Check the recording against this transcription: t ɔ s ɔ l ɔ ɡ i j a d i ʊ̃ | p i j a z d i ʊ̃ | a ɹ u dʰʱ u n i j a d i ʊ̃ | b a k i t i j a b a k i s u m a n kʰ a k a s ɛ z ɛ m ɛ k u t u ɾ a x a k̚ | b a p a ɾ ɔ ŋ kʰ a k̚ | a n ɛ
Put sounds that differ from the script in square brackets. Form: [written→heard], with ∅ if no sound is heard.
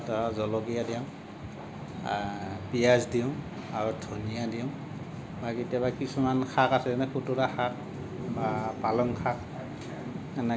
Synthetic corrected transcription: t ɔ [s→z] ɔ l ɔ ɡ i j a d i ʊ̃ | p i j a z d i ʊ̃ | a ɹ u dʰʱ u n i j a d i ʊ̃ | b a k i t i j a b a k i s u m a n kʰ a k a s ɛ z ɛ [m→n] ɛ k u t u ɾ a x a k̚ | b a p a [ɾ→l] ɔ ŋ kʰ a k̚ | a n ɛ